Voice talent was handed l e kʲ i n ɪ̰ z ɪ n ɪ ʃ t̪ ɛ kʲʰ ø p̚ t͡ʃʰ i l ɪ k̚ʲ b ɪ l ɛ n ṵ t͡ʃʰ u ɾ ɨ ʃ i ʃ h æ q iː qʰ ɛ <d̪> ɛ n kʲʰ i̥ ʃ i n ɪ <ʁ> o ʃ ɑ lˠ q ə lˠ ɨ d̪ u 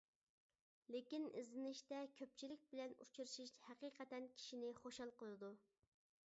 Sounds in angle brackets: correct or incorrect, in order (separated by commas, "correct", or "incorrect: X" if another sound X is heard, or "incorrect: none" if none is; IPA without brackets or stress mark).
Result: incorrect: t̪, incorrect: χ